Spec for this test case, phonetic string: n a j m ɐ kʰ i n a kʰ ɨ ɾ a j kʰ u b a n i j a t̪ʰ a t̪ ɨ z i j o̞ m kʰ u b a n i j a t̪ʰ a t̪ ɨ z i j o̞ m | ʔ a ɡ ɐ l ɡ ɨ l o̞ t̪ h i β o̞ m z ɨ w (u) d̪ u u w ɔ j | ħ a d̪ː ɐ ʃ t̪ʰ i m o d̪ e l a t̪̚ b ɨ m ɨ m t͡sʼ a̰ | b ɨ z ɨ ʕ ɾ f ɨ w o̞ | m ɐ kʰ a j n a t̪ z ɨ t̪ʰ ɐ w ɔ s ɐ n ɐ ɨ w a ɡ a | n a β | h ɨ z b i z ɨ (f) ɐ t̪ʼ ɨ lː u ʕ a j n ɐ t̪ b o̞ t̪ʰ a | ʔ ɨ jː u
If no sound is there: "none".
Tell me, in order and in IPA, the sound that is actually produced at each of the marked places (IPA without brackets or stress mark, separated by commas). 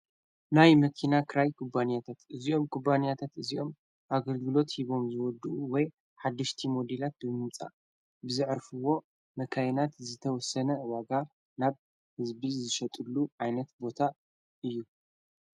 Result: ɔ, ʃ